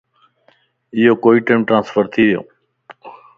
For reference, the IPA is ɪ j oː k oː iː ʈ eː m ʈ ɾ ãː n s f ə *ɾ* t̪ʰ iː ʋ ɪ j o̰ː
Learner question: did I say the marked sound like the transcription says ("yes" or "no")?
yes